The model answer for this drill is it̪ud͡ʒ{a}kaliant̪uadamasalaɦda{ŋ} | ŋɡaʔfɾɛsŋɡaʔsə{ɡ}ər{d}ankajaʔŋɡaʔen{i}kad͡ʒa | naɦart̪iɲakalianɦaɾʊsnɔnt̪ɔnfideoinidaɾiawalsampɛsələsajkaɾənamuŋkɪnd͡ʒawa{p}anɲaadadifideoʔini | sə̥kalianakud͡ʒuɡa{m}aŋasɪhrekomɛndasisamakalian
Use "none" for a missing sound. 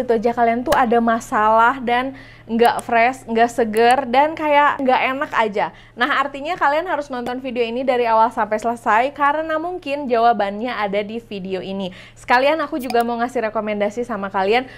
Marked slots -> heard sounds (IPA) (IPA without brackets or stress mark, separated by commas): a, n, ɡ, d, a, b, m